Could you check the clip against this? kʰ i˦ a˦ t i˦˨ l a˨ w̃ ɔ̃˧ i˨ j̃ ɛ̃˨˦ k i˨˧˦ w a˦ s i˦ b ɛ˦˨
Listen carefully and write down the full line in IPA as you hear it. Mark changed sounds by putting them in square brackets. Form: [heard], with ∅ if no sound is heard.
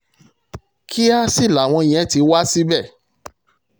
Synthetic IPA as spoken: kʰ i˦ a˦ [s] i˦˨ l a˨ w̃ ɔ̃˧ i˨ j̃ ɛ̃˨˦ [t] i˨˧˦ w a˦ s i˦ b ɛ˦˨